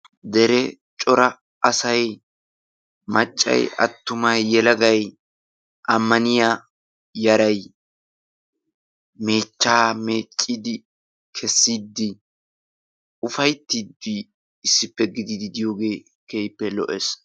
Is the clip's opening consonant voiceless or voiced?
voiced